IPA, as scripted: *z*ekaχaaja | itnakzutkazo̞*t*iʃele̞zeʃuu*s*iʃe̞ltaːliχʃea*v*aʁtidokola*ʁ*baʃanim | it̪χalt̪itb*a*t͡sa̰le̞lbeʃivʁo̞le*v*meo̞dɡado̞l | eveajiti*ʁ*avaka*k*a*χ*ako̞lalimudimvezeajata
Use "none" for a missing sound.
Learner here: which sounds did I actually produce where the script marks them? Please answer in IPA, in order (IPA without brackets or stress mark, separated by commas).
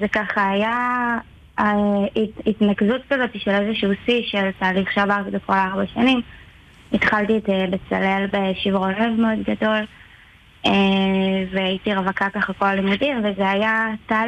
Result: z, t, s, v, ʁ, e, v, ʁ, k, χ